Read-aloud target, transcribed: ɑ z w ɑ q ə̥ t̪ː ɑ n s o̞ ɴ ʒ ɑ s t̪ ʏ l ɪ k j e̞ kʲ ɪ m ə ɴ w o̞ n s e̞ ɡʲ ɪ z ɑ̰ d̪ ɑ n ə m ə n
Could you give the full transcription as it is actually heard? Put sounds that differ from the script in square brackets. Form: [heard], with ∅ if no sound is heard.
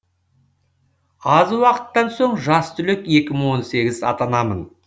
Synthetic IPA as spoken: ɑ z w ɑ q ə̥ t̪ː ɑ n s o̞ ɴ ʒ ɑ s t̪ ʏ l ɪ k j e̞ kʲ ɪ m ə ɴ w o̞ n s e̞ ɡʲ ɪ z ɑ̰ [t̪] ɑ n [ɑ] m ə n